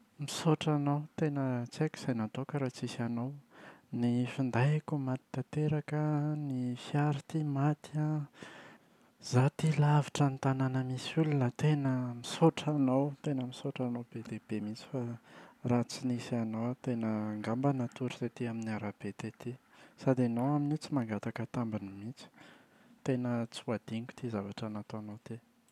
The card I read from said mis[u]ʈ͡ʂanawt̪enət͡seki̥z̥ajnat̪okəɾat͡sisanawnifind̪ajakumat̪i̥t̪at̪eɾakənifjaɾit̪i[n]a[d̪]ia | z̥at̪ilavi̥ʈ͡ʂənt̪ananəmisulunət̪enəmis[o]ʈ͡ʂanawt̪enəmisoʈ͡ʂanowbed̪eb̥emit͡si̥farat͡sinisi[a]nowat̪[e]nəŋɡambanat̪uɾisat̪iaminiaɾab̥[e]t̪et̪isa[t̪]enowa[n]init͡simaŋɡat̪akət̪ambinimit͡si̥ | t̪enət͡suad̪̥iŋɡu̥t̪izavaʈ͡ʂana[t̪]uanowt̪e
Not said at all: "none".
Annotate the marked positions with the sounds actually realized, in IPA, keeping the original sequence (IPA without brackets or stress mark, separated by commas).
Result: o, m, t̪, o, a, e, e, d̪, m, t̪